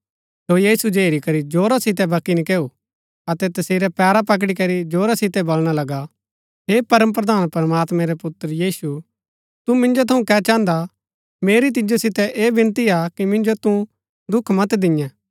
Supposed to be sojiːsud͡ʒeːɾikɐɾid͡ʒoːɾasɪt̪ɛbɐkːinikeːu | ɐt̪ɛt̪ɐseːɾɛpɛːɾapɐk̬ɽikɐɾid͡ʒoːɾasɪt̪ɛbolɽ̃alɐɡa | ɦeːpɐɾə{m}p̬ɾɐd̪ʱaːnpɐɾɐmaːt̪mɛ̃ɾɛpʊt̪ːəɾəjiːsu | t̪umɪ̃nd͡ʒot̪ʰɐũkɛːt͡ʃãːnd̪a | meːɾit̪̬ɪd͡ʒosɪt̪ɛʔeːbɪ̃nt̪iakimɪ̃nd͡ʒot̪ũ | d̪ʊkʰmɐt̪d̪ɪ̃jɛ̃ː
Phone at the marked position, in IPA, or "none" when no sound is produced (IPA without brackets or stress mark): m